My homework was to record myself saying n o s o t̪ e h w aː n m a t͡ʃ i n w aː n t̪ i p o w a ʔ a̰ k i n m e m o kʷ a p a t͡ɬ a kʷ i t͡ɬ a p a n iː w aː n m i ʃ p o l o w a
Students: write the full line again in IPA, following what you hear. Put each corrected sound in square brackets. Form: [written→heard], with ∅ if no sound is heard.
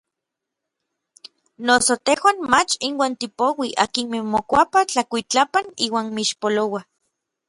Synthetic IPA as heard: n o s o t̪ e h w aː n m a t͡ʃ i n w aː n t̪ i p o w [a→i] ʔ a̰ k i n m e m o kʷ a p a t͡ɬ a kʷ i t͡ɬ a p a n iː w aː n m i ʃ p o l o w a